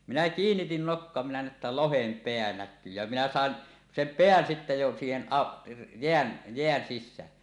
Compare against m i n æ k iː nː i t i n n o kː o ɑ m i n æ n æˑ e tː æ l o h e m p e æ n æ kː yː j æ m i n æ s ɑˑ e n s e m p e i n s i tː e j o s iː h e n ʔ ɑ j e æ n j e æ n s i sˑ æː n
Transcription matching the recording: m i n æ k iː nː i t i n n o kː o ɑ m i n æ n æˑ e tː æ l o h e m p e æ n æ kː yː j æ m i n æ s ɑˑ e n s e m p e æ n s i tː e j o s iː h e n ʔ ɑ j e æ n j e æ n s i sˑ æː n